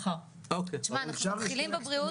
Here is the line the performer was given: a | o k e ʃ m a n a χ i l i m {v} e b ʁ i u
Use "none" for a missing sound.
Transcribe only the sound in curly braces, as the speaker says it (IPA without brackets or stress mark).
b